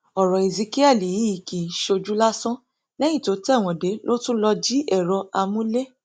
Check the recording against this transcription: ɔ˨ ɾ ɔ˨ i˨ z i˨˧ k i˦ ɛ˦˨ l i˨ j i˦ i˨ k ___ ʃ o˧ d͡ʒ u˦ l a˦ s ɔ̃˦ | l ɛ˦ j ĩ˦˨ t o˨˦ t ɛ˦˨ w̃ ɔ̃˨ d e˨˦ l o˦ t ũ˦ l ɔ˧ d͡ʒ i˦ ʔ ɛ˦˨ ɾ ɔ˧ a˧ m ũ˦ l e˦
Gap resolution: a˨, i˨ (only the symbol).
i˨